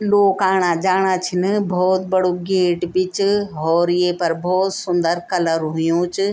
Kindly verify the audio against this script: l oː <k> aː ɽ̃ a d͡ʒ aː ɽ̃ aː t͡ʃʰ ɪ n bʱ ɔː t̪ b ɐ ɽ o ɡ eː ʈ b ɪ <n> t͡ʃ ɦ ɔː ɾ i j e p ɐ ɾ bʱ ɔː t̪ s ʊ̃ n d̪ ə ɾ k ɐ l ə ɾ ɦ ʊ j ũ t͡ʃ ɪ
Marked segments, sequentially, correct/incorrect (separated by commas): correct, incorrect